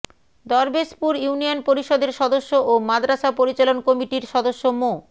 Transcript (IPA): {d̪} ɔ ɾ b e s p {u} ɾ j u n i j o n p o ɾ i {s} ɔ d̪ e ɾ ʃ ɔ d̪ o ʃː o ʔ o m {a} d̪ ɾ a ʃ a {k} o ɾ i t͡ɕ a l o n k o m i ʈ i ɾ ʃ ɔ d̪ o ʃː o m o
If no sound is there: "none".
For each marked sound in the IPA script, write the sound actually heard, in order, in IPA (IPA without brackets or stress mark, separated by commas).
d̪, u, ʃ, a, p